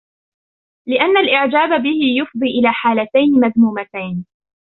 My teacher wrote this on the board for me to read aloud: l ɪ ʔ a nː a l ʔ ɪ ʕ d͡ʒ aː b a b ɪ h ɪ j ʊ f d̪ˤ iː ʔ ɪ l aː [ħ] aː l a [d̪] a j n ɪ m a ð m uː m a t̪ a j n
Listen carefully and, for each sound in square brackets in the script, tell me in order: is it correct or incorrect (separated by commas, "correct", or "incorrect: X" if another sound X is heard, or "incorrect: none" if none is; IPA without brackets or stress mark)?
correct, incorrect: t̪